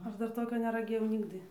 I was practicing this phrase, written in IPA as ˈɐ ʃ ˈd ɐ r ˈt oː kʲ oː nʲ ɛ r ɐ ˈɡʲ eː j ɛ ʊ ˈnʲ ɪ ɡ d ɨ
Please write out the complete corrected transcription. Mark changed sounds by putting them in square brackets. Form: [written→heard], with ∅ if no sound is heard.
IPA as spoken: ˈɐ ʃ ˈd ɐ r ˈt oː kʲ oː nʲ ɛ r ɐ ˈɡʲ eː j ɛ ʊ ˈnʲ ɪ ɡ d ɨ